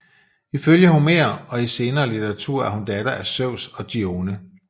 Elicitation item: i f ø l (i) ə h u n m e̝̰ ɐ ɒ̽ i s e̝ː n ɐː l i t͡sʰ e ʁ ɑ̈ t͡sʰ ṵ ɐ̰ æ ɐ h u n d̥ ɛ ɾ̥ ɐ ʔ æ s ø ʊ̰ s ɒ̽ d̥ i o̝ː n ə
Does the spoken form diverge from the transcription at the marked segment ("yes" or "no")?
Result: yes